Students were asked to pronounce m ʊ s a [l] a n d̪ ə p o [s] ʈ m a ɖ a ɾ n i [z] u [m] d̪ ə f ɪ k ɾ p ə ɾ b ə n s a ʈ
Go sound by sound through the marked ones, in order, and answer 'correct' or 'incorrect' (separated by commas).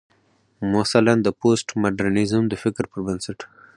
correct, correct, correct, correct